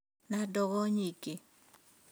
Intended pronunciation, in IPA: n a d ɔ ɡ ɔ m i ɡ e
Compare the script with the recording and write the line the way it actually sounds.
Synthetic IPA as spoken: n a d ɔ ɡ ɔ ɲ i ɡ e